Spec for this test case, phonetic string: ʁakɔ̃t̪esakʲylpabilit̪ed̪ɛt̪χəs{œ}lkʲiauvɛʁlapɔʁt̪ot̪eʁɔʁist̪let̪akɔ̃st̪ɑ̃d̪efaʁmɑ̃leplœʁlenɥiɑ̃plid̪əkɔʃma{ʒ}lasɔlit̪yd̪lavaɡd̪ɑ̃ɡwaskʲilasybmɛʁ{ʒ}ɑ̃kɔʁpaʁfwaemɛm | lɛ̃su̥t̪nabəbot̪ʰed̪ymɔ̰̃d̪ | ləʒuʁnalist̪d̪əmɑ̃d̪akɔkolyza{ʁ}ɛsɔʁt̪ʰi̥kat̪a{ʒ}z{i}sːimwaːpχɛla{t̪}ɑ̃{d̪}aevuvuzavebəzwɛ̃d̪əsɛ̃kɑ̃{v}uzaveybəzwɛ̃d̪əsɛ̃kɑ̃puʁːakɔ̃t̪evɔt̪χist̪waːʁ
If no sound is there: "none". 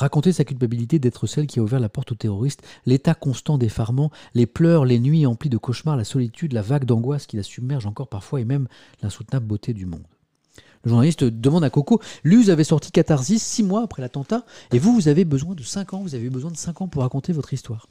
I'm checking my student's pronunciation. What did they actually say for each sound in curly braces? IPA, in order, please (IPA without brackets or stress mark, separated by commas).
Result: ɛ, ʁ, ʒ, v, ʁ, i, t̪, t̪, v